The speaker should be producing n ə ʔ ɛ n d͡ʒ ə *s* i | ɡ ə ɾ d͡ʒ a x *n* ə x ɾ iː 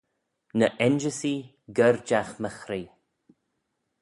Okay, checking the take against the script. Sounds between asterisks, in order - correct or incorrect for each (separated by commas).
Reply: correct, incorrect